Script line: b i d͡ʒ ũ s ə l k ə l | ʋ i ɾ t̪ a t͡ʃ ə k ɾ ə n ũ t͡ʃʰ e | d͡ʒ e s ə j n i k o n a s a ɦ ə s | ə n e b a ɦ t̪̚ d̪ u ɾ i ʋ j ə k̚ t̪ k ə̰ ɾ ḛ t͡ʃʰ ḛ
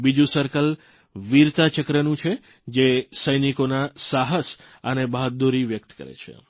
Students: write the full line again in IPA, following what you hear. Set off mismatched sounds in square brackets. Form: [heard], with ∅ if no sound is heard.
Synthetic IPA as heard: b i d͡ʒ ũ s ə [ɾ] k ə l | ʋ i ɾ t̪ a t͡ʃ ə k ɾ ə n ũ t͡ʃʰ e | d͡ʒ e s ə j n i k o n a s a ɦ ə s | ə n e b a ɦ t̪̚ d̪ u ɾ i ʋ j ə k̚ t̪ k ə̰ ɾ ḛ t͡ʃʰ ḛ